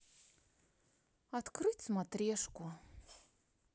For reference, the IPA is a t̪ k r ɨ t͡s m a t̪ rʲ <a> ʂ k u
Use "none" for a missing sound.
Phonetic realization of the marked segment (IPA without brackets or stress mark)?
e